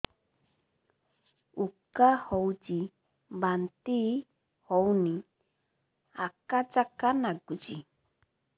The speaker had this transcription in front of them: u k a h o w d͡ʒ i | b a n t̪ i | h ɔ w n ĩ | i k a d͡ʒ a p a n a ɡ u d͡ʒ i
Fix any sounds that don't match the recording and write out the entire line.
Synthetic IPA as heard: u k a h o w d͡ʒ i | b a n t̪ i | h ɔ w n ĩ | a k a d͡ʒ a k a n a ɡ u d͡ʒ i